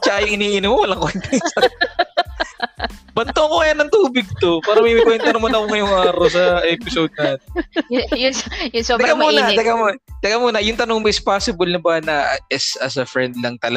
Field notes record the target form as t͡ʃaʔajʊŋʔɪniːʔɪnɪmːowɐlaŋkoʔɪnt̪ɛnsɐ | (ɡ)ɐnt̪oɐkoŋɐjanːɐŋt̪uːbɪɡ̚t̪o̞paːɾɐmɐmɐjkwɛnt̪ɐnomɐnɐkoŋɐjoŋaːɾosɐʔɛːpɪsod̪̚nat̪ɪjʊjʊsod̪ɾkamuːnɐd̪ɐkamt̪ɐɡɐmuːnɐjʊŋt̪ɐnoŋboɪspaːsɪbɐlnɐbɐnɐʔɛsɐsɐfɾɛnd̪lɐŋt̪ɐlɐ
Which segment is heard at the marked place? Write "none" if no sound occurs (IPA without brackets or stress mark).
b